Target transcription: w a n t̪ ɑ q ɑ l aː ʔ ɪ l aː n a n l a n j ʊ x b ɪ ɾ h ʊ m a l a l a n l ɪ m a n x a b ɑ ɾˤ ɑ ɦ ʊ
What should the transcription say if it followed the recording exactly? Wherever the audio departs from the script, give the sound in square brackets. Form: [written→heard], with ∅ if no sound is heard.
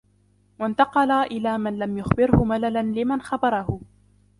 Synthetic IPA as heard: w a n t̪ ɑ q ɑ l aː ʔ ɪ l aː [n→m] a n l a [n→m] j ʊ x b ɪ ɾ h ʊ m a l a l a n l ɪ m a n x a b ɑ ɾˤ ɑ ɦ ʊ